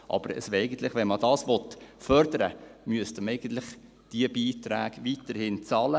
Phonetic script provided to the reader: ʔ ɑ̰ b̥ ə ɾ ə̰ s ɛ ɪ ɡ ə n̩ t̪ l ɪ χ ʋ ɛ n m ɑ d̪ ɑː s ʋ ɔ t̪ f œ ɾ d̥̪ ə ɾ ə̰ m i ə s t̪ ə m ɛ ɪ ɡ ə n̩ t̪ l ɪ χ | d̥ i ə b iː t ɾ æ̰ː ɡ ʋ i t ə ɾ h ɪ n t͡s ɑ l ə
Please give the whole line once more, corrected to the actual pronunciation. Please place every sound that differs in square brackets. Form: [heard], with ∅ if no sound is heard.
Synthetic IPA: ʔ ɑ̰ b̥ ə ɾ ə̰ s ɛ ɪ ɡ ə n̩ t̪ l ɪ χ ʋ ɛ n m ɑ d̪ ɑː s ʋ ɔ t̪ f œ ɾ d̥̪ ə ɾ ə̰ m [y] ə s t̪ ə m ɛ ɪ ɡ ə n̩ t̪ l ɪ χ | d̥ i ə b iː t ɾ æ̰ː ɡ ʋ i t ə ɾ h ɪ n t͡s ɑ l ə